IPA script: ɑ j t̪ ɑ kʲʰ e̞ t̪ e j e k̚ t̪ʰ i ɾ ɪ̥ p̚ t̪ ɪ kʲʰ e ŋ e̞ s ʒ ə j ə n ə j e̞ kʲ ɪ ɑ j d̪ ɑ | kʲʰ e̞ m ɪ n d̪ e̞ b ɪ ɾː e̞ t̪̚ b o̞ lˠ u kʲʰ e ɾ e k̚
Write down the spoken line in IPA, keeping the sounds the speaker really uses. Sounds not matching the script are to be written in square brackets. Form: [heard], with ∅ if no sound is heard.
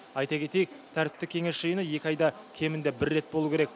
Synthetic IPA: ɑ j t̪ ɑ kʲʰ e̞ t̪ e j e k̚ t̪ʰ [æ] ɾ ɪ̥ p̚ t̪ ɪ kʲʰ e ŋ e̞ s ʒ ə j ə n ə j e̞ kʲ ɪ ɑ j d̪ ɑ | kʲʰ e̞ m ɪ n d̪ e̞ b ɪ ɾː e̞ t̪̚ b o̞ lˠ u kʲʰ e ɾ e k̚